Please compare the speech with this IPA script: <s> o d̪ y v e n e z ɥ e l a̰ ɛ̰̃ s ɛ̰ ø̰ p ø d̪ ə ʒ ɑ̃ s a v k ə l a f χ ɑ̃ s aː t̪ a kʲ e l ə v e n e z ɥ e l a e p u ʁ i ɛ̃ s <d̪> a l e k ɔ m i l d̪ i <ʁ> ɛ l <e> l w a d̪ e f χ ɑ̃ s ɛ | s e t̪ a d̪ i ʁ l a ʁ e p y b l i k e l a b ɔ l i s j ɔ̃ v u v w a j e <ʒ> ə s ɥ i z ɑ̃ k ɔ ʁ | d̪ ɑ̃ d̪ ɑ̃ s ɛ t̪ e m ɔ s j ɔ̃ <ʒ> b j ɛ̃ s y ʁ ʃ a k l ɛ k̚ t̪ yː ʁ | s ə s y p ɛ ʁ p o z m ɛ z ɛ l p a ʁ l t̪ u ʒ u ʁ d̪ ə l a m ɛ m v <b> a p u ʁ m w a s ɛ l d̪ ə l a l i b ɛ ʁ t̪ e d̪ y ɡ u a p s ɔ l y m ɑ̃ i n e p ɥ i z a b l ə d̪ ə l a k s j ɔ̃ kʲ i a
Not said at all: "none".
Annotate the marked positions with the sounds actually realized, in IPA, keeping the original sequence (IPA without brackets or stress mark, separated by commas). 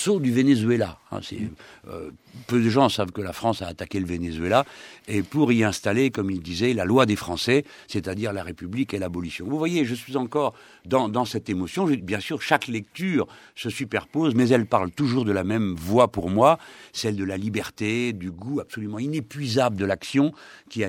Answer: s, t̪, z, a, ʒ, ʒ, w